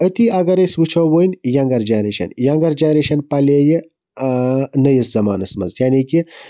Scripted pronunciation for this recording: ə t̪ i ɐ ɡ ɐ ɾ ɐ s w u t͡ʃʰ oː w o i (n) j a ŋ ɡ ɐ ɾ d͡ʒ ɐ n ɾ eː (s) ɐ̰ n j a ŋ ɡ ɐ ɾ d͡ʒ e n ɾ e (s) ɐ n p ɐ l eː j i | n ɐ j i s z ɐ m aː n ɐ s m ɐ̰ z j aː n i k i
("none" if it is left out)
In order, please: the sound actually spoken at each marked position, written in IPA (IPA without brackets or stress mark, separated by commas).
n, ʃ, ʃ